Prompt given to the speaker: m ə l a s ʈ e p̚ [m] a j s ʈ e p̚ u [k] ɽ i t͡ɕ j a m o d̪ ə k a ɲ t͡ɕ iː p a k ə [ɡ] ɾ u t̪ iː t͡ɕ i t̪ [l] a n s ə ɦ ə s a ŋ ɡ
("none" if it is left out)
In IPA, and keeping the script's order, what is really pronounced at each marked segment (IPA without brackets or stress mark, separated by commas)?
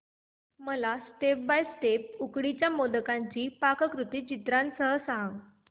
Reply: b, k, k, ɾ